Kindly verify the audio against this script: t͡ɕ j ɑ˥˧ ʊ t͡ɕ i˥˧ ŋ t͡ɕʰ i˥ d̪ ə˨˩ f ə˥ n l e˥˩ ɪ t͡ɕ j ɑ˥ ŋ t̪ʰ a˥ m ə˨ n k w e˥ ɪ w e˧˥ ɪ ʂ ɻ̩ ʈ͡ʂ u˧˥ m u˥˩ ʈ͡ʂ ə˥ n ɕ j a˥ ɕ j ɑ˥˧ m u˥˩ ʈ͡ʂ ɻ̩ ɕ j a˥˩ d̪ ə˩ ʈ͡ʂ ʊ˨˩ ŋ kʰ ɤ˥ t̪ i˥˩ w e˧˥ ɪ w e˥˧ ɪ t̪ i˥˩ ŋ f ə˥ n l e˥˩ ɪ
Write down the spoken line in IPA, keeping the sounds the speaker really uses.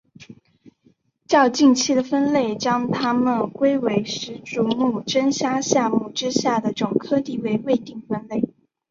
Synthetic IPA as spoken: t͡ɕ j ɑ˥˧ ʊ t͡ɕ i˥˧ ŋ t͡ɕʰ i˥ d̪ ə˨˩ f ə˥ n l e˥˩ ɪ t͡ɕ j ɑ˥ ŋ t̪ʰ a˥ m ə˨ n k w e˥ ɪ w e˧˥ ɪ ʂ ɻ̩ ʈ͡ʂ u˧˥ m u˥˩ ʈ͡ʂ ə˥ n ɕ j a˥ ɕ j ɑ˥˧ m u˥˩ ʈ͡ʂ ɻ̩ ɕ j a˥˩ d̪ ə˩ ʈ͡ʂ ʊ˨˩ ŋ kʰ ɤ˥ t̪ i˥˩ w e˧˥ ɪ w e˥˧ ɪ t̪ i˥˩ ŋ f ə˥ n l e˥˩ ɪ